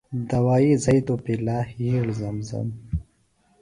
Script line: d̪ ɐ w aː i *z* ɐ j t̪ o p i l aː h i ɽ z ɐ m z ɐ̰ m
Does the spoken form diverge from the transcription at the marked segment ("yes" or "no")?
no